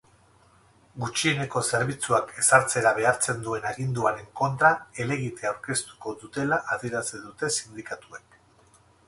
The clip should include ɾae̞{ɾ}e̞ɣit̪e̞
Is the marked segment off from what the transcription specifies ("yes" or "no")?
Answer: yes